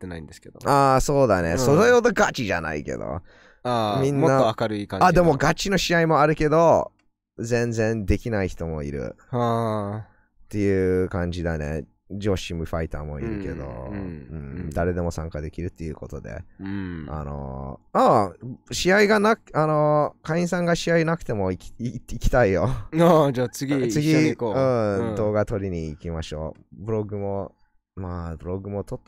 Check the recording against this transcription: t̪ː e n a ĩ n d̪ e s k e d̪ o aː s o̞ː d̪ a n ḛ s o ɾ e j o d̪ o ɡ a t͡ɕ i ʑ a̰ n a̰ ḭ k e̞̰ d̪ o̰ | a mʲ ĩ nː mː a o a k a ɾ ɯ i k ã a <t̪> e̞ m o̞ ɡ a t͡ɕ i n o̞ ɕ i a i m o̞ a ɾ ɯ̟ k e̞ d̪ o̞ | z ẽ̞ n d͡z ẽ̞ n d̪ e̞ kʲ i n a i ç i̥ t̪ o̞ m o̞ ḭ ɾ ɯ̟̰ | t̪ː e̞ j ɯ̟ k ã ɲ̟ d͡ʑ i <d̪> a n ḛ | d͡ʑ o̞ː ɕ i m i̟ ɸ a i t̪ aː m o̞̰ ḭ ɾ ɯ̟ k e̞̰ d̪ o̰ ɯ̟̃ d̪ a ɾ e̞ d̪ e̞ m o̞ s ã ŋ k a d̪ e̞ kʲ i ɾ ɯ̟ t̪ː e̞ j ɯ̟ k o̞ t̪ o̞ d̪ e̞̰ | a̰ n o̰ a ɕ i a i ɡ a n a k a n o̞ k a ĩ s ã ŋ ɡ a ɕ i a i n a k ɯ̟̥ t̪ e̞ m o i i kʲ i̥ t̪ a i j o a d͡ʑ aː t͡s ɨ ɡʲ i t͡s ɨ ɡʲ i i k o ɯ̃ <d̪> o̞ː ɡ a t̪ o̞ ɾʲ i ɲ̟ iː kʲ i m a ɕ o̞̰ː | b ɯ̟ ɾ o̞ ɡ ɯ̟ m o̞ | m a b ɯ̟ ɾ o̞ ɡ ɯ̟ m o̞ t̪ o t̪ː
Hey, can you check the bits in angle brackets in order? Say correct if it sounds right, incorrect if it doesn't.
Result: incorrect, correct, correct

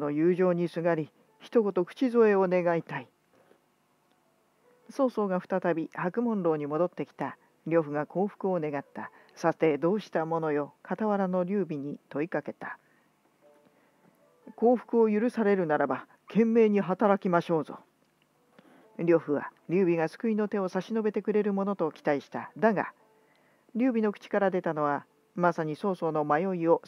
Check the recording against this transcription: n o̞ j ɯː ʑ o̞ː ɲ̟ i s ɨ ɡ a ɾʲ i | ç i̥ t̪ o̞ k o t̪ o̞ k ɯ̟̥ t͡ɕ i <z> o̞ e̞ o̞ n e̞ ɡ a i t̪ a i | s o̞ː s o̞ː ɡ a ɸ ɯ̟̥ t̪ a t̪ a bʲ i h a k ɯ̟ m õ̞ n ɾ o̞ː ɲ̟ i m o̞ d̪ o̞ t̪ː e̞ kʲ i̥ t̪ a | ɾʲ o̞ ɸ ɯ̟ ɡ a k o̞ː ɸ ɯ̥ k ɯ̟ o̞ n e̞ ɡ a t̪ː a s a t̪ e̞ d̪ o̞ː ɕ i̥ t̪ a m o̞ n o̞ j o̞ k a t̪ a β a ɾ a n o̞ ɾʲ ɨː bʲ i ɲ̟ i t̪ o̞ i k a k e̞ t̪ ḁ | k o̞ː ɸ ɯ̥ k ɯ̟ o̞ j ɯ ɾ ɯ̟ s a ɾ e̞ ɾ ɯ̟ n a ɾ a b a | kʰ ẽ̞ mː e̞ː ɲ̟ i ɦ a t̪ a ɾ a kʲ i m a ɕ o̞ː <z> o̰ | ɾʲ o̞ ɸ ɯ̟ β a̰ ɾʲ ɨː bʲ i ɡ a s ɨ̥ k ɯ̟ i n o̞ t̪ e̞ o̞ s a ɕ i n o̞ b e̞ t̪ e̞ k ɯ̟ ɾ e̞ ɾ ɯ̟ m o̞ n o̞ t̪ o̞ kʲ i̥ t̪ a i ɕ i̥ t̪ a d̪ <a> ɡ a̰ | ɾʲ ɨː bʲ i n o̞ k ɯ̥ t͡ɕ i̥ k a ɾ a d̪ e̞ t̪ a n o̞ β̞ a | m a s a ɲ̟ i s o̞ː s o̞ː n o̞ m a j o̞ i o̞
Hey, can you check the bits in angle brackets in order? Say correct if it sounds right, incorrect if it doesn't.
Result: correct, correct, correct

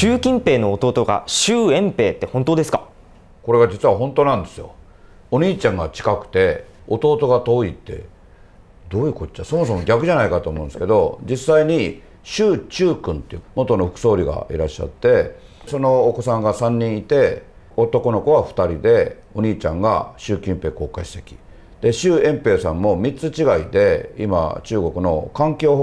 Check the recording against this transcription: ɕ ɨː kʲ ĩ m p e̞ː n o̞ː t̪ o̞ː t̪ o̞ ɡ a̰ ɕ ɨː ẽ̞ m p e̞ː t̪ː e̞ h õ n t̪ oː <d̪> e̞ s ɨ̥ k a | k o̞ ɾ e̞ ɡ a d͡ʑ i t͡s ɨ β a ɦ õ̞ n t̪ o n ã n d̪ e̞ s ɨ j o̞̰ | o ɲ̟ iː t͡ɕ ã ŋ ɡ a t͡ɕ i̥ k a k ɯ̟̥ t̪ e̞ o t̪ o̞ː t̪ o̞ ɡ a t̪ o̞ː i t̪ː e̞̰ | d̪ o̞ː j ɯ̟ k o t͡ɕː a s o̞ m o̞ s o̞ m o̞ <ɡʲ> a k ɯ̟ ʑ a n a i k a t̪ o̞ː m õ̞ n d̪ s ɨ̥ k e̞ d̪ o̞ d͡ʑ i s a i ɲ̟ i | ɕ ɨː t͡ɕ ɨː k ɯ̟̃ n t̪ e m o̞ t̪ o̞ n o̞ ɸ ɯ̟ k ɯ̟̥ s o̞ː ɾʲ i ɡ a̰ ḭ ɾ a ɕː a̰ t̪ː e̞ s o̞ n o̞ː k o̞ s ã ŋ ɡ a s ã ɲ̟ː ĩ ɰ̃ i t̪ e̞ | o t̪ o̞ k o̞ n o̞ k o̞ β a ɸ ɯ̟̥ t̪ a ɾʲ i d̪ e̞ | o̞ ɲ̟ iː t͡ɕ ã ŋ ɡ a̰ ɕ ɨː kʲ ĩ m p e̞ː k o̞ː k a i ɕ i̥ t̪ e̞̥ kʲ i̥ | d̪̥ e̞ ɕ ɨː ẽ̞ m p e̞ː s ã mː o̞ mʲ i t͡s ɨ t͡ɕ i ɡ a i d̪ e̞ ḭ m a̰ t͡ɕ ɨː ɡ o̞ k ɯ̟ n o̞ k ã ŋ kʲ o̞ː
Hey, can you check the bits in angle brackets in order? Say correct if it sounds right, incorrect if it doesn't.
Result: correct, correct

